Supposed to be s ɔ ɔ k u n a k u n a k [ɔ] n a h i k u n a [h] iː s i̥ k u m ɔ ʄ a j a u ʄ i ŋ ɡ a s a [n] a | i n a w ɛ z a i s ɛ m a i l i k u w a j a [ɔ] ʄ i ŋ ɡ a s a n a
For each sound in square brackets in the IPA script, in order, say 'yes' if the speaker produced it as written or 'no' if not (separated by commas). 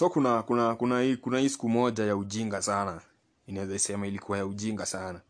no, yes, yes, no